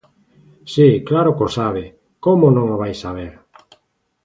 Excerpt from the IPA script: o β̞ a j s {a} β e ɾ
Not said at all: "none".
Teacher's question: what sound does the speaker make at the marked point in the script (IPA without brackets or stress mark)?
a